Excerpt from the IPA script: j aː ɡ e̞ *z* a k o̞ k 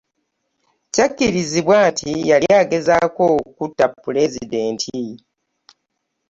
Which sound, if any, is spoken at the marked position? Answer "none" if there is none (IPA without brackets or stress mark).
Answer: z